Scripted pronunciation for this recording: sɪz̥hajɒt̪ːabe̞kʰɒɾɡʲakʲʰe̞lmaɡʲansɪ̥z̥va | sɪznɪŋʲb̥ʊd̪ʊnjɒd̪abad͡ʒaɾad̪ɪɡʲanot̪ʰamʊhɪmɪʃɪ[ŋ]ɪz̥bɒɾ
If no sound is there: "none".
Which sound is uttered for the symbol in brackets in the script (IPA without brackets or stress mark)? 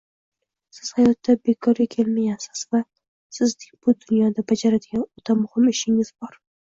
ŋ